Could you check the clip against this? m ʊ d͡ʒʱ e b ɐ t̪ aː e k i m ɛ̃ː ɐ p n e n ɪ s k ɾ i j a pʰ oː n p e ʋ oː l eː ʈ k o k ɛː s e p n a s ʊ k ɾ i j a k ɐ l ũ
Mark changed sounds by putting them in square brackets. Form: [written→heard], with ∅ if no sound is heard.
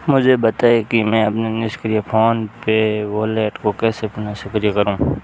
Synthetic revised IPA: m ʊ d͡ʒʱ e b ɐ t̪ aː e k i m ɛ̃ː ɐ p n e n ɪ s k ɾ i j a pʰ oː n p e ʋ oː l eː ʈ k o k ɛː s e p n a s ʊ k ɾ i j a k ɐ [l→ɾ] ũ